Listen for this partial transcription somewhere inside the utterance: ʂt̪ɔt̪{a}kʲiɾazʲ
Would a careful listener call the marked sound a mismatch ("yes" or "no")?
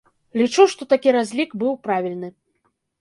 no